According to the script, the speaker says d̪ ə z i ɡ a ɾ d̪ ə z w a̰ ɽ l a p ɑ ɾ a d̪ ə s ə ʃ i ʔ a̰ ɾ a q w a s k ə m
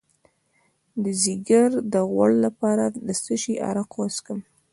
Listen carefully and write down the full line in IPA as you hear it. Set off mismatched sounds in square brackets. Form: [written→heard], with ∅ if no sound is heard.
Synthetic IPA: d̪ ə z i ɡ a ɾ d̪ ə [z→ɣ] w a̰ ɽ l a p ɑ ɾ a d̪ ə s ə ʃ i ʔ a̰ ɾ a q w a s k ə m